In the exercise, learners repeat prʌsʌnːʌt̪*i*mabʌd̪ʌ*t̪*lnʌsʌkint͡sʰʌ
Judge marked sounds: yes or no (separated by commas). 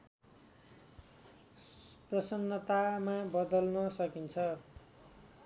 no, no